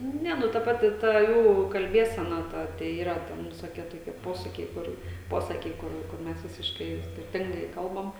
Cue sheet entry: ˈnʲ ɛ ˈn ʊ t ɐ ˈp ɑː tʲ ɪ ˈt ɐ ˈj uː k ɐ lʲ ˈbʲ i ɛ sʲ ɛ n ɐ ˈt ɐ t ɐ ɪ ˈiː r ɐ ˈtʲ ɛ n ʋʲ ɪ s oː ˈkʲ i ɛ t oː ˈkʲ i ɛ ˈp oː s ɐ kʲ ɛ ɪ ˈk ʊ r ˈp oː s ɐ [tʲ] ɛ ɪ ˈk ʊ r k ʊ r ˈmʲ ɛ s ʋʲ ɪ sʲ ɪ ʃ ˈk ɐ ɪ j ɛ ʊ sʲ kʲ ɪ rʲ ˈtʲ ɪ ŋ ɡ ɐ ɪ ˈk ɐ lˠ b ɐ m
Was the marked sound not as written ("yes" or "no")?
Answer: yes